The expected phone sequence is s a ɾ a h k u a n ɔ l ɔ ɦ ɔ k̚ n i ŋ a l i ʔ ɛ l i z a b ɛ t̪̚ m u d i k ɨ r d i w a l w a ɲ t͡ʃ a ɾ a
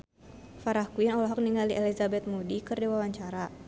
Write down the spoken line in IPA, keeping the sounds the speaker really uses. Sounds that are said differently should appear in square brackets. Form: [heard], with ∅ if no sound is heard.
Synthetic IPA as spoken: [f] a ɾ a h k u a n ɔ l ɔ ɦ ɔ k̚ n i ŋ a l i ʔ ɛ l i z a b ɛ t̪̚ m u d i k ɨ r d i w a [∅] w a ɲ t͡ʃ a ɾ a